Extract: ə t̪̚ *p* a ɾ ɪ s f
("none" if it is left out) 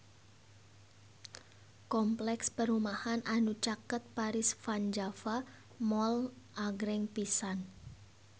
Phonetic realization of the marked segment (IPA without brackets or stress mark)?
p